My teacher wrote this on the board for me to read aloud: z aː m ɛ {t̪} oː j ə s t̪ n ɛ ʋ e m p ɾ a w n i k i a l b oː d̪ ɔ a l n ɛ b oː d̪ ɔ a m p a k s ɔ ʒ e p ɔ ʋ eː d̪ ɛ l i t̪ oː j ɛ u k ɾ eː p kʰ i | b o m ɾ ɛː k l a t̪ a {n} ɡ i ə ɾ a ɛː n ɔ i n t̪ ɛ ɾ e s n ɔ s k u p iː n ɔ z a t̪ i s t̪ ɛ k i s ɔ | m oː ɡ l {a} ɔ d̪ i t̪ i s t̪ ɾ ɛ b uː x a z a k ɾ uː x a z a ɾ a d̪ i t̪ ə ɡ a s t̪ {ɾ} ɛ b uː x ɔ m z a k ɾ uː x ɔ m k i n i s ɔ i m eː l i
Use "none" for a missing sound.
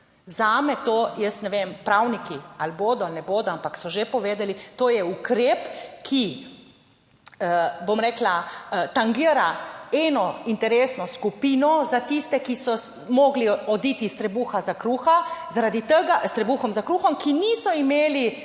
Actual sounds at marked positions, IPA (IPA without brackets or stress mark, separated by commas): t̪, ŋ, i, ɾ